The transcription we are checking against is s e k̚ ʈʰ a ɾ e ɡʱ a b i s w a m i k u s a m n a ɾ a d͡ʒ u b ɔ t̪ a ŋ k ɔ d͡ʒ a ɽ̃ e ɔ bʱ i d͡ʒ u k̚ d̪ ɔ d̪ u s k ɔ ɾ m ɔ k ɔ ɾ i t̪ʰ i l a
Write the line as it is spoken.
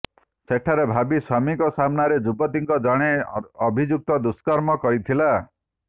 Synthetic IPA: s e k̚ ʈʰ a ɾ e bʱ a b i s w a m i k ɔ s a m n a ɾ e d͡ʒ u b ɔ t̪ i ŋ k ɔ d͡ʒ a ɽ̃ e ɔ bʱ i d͡ʒ u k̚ t̪ ɔ d̪ u s k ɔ ɾ m ɔ k ɔ ɾ i t̪ʰ i l a